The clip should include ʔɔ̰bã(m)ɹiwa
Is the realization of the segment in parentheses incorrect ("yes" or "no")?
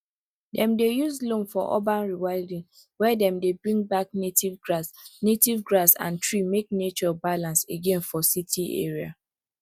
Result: yes